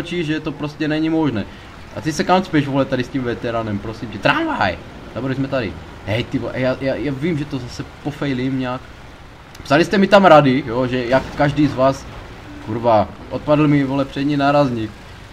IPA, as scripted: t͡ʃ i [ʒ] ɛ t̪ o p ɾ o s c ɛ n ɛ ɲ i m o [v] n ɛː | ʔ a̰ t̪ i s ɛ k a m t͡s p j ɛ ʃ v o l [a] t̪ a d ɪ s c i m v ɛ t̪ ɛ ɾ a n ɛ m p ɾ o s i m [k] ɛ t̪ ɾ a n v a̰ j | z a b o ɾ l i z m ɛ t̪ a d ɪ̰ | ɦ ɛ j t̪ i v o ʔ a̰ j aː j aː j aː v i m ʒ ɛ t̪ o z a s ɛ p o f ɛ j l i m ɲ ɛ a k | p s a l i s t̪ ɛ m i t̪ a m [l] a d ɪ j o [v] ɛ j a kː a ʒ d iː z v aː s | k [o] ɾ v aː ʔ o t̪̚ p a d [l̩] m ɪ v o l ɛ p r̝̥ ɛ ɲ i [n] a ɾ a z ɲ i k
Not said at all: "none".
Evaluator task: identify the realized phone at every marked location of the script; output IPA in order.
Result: ʒ, ʒ, ɛ, c, ɾ, ʒ, u, l̩, n

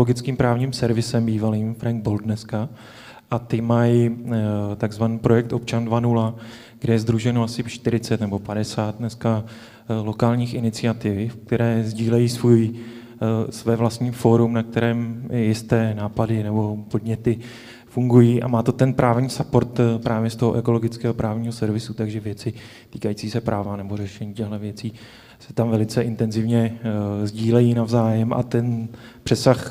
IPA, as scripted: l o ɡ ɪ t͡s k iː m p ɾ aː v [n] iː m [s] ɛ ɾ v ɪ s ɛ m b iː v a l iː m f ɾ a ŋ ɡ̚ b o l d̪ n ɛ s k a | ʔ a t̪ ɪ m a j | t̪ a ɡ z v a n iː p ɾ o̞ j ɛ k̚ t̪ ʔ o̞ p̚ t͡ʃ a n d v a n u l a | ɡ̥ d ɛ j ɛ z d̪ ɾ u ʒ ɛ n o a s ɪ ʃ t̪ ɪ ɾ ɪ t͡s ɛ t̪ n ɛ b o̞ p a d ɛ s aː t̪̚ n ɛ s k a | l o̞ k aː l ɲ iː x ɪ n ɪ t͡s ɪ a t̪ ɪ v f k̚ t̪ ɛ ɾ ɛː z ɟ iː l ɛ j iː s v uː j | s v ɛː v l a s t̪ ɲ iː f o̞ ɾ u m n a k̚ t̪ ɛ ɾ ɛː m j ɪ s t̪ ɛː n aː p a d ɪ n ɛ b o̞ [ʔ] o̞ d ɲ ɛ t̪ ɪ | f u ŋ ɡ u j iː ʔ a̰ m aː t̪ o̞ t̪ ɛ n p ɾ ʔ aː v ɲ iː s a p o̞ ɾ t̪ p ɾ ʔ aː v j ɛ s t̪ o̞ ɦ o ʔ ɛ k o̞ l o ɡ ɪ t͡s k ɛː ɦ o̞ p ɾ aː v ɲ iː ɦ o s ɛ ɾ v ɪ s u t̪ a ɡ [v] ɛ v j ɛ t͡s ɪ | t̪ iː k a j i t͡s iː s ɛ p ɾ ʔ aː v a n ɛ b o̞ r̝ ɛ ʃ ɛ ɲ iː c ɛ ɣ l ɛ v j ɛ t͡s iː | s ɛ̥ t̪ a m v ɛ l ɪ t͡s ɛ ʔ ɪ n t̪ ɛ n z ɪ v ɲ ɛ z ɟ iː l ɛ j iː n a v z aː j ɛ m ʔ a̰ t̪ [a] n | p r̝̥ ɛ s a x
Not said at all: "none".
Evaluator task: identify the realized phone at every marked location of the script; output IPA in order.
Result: ɲ, s, p, ʒ, ɛ

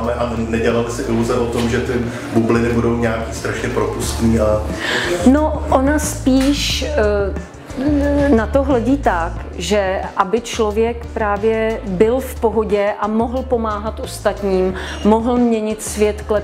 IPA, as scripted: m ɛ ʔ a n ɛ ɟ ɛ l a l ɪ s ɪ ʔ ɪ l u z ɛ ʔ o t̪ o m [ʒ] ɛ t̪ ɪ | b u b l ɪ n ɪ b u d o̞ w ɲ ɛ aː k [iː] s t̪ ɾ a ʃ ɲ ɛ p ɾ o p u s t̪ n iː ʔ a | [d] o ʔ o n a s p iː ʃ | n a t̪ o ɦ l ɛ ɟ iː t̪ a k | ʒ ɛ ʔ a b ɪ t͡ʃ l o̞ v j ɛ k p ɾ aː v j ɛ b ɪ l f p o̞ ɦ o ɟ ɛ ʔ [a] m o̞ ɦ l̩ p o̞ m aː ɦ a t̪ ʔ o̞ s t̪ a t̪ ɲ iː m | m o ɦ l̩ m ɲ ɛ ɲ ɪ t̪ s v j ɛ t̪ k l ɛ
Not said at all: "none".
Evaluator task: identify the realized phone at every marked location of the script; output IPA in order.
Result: ʒ, iː, n, a

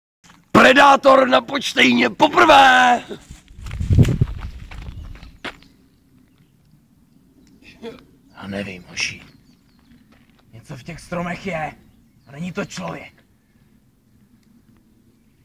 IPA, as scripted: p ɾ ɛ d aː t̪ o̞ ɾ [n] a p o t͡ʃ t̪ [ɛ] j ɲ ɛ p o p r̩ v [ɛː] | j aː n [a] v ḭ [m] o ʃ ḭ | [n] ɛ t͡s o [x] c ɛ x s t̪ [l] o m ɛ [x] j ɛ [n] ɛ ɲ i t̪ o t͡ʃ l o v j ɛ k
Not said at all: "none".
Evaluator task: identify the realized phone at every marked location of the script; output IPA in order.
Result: n, ɛ, ɛː, ɛ, m, ɲ, f, ɾ, x, n

